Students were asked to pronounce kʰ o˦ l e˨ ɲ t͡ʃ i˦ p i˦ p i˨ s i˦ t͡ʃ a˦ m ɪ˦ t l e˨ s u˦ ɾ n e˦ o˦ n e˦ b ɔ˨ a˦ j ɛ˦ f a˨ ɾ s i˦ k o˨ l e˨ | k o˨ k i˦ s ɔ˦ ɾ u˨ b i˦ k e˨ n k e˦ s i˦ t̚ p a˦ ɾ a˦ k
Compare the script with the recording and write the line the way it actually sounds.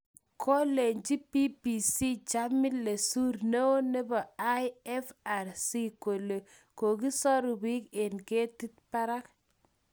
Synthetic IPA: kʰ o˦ l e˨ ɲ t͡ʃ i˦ p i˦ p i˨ s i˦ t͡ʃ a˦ m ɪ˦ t l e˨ s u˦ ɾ n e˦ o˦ n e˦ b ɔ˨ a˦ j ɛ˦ f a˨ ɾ s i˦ k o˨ l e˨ | k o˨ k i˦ s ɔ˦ ɾ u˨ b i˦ k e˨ n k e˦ t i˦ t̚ p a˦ ɾ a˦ k

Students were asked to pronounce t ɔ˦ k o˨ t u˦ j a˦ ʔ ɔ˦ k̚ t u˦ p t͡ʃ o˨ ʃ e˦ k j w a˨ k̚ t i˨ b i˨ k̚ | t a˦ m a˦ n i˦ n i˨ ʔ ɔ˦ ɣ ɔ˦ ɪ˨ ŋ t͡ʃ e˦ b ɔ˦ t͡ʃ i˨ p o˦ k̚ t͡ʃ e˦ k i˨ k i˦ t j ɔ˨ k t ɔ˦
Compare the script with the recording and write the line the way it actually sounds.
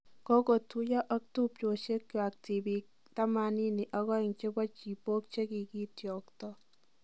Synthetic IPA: k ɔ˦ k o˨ t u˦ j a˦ ʔ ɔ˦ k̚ t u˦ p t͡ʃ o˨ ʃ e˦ k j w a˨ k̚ t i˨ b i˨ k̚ | t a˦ m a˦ n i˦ n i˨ ʔ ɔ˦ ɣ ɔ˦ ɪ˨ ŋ t͡ʃ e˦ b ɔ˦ t͡ʃ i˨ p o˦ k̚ t͡ʃ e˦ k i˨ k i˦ t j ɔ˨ k t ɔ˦

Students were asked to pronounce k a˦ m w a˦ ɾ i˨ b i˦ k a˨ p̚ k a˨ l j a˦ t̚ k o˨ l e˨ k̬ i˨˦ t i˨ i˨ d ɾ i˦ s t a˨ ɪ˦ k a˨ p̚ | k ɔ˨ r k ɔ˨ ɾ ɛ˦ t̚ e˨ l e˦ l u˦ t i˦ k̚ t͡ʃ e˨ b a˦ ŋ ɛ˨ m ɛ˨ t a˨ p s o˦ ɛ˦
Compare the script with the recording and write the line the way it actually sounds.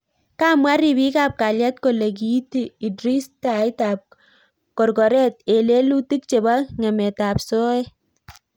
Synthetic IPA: k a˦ m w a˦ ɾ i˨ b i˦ k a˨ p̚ k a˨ l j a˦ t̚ k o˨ l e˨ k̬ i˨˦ t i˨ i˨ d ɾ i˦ s t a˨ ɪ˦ t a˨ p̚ | k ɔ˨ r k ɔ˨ ɾ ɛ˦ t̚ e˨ l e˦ l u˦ t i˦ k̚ t͡ʃ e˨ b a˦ ŋ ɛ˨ m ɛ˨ t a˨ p s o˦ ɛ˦

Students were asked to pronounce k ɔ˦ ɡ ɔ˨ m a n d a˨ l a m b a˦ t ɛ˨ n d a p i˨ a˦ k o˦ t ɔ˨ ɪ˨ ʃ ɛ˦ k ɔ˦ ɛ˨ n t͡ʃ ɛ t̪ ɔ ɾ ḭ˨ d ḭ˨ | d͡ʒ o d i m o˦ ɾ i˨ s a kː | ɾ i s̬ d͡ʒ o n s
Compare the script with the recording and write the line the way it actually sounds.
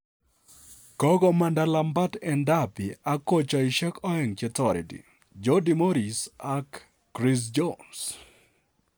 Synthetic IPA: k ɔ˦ ɡ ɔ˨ m a n d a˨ l a m b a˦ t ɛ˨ n d a p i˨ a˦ k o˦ t͡ʃ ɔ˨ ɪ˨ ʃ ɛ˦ k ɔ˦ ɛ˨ ŋ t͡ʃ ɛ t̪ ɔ ɾ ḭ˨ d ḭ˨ | d͡ʒ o d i m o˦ ɾ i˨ s a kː | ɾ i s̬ d͡ʒ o n s

